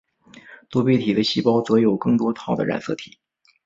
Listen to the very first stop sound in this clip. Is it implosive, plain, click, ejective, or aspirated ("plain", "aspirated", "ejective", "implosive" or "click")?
plain